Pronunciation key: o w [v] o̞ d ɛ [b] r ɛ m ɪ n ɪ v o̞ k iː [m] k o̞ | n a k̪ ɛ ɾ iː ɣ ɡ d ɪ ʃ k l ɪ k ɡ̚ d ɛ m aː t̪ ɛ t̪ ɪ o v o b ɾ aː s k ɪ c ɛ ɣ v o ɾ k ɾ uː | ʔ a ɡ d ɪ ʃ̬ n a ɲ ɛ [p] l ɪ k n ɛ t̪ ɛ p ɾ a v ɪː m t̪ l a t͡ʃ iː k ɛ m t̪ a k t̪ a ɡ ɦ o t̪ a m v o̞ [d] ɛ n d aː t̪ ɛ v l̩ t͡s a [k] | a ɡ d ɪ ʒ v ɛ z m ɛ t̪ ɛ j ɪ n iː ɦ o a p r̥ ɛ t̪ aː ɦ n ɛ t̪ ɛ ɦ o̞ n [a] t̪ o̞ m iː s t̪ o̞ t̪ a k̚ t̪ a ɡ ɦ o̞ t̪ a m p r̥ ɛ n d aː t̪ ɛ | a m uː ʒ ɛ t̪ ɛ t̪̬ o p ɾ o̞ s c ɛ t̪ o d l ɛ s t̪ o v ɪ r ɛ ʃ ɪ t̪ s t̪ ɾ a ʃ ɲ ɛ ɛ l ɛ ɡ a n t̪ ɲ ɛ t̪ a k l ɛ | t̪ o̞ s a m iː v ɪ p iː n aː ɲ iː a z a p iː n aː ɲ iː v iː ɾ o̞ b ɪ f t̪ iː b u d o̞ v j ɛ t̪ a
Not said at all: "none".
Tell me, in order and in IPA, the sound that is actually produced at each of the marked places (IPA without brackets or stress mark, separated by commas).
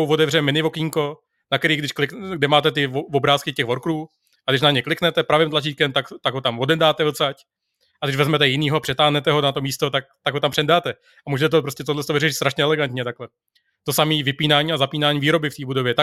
v, v, ŋ, k, d, c, a